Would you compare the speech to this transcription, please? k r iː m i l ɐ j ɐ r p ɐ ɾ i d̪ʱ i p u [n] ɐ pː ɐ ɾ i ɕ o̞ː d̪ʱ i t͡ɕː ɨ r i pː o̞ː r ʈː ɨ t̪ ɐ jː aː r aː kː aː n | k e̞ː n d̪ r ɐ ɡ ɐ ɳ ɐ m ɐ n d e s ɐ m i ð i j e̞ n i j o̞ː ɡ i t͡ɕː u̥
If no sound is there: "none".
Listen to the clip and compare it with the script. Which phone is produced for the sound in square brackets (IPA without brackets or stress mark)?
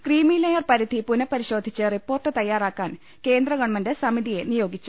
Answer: n